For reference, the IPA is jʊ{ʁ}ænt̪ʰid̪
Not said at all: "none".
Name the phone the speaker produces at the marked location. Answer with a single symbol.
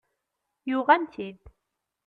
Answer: ʁ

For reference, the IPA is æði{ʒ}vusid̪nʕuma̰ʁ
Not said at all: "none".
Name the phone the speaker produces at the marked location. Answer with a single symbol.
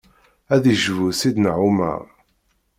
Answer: ʒ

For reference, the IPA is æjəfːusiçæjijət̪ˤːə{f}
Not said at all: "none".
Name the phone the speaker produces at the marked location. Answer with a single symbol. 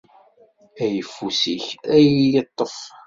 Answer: f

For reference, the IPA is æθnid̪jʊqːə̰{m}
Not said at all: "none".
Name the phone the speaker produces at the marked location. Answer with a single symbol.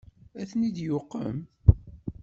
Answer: m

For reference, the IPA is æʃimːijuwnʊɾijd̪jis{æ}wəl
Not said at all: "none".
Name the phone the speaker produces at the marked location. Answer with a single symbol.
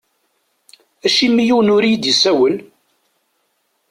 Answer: æ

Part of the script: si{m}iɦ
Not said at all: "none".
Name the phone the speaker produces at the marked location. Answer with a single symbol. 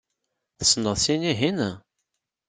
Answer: n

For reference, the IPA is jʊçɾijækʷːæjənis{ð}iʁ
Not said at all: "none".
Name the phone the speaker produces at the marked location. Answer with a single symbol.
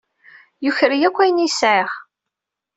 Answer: ʕ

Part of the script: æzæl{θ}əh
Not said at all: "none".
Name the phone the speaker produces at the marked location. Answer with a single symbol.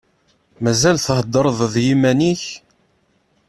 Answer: θ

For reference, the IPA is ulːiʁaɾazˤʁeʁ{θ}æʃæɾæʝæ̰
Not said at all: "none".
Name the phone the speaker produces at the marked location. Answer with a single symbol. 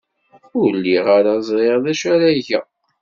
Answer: ð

